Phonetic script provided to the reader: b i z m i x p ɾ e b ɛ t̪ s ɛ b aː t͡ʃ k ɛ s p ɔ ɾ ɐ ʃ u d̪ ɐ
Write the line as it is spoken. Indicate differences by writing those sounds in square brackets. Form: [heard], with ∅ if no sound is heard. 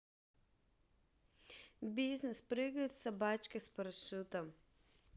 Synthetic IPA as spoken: b i z [n] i [s] p ɾ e [ɡ] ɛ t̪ s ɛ b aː t͡ʃ k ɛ s p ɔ ɾ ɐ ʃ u [t̪] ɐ

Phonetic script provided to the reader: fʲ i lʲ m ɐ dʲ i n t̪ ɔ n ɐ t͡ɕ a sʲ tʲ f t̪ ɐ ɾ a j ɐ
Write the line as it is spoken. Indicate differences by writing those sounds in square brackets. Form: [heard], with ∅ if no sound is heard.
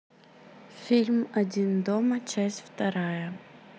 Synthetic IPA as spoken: fʲ i lʲ m ɐ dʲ i n [d̪] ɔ [m] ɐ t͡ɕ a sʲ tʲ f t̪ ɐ ɾ a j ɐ

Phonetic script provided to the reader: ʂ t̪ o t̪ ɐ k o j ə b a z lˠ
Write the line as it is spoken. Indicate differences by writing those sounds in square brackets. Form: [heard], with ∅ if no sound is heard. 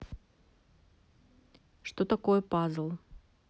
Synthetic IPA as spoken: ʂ t̪ o t̪ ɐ k o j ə [p] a z lˠ

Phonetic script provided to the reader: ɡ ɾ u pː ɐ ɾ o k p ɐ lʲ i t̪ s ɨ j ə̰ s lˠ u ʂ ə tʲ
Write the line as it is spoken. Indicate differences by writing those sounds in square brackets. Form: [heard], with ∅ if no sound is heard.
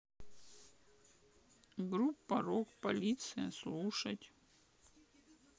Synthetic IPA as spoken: ɡ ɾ u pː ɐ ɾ o k p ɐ lʲ i t̪ s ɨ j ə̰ s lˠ u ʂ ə tʲ

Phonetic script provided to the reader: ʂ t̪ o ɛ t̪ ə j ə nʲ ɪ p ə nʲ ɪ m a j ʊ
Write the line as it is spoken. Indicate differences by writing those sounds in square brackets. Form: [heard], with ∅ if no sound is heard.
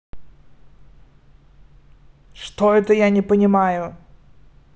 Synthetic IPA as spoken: ʂ t̪ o ɛ t̪ ə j [a] nʲ ɪ p ə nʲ ɪ m a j ʊ

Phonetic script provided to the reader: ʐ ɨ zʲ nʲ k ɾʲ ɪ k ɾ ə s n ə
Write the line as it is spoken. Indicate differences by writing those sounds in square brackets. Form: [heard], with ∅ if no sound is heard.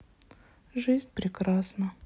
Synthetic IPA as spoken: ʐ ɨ zʲ nʲ [p] ɾʲ ɪ k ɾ [a] s n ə

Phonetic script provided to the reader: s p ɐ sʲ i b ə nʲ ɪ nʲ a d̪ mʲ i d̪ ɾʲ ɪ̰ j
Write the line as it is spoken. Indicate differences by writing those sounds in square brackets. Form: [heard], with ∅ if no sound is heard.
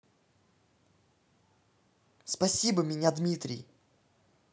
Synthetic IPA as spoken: s p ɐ sʲ i b ə [mʲ] ɪ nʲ a d̪ mʲ i [t̪] ɾʲ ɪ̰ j

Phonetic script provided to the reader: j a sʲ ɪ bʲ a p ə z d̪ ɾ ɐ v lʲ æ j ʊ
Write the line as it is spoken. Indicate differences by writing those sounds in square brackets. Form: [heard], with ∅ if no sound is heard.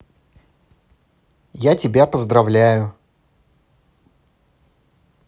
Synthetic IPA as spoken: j a [tʲ] ɪ bʲ a p ə z d̪ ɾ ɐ v lʲ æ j ʊ

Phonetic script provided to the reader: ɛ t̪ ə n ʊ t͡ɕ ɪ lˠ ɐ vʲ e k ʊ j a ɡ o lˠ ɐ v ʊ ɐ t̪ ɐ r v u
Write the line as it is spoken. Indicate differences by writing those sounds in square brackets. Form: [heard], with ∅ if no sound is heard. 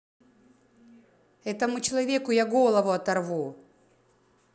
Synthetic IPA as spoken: ɛ t̪ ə [m] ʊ t͡ɕ ɪ lˠ ɐ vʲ e k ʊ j a ɡ o lˠ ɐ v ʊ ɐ t̪ ɐ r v u

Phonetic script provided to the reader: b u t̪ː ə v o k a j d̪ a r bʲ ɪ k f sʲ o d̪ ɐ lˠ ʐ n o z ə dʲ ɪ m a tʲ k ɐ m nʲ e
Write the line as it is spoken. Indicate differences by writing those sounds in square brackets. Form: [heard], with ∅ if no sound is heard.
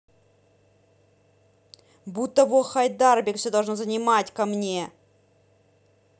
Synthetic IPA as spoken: b u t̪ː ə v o [x] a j d̪ a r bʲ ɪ k f sʲ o d̪ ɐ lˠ ʐ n o z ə [nʲ] ɪ m a tʲ k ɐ m nʲ e

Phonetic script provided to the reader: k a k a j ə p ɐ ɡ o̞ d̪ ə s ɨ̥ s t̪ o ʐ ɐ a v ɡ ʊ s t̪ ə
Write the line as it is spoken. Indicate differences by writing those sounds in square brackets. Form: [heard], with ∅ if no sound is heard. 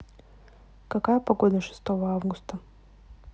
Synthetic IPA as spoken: k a k a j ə p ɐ ɡ o̞ d̪ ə [ʂ] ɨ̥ s t̪ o [v] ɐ a v ɡ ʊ s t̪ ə

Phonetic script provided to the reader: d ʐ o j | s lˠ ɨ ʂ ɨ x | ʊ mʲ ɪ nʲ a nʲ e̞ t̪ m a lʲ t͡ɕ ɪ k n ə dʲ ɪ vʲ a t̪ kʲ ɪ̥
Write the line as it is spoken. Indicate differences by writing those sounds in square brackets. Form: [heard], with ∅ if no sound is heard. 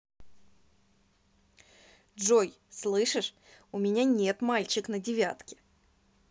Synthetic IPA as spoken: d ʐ o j | s lˠ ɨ ʂ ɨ [ʂ] | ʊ mʲ ɪ nʲ a nʲ e̞ t̪ m a lʲ t͡ɕ ɪ k n ə dʲ ɪ vʲ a t̪ kʲ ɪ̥

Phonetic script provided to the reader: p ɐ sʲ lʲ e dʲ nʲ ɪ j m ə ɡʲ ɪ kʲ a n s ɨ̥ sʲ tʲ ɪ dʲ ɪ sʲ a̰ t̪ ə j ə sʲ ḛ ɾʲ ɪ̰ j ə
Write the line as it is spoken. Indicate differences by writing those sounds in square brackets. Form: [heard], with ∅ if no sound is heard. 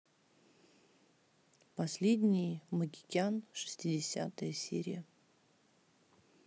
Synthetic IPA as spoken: p ɐ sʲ lʲ e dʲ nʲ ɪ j m ə ɡʲ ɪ kʲ a n [ʂ] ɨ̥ sʲ tʲ ɪ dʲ ɪ sʲ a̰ t̪ ə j ə sʲ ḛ ɾʲ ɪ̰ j ə

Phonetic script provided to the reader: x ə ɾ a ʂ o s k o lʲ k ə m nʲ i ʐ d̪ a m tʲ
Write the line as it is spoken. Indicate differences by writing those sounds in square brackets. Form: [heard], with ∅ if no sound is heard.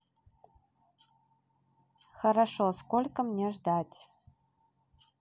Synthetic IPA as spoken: x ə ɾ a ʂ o s k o lʲ k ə m nʲ [e] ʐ d̪ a [∅] tʲ

